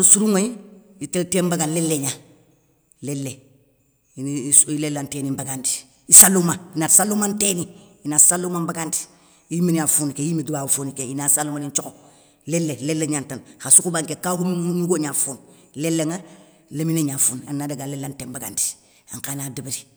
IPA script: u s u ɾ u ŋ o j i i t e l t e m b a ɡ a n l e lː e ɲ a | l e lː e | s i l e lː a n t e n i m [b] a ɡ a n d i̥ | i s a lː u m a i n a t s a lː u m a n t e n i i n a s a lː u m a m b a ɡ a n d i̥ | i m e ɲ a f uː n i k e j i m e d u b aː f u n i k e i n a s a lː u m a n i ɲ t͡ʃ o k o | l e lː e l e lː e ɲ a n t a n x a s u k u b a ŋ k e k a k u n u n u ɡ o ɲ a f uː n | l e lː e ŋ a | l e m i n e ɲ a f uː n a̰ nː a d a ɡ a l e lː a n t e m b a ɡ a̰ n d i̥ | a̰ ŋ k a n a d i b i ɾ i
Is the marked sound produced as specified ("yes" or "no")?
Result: yes